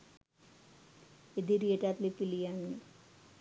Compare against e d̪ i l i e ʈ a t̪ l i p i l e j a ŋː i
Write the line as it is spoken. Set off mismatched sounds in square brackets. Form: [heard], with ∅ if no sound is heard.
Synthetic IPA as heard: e d̪ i [ɾ] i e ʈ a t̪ l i p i l [i] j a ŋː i